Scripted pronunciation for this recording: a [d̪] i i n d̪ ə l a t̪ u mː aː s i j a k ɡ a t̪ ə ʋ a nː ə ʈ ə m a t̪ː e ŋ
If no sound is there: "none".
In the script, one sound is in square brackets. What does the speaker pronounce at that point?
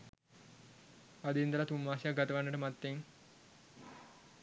d̪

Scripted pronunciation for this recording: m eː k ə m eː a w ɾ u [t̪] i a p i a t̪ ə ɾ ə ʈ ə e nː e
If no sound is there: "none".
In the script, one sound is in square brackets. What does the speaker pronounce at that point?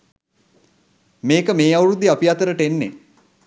d̪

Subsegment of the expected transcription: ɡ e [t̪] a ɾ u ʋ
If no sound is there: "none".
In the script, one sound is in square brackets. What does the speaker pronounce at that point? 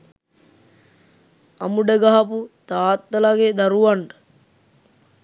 d̪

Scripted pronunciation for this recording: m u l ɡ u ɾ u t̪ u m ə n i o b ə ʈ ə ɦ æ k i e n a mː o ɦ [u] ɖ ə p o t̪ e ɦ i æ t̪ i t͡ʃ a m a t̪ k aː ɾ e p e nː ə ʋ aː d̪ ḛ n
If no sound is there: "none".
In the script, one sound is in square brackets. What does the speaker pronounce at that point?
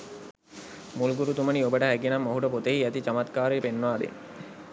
u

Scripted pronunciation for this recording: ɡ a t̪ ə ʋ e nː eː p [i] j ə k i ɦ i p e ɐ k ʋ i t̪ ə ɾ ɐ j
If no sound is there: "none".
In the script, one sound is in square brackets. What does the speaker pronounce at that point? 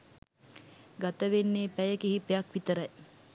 æ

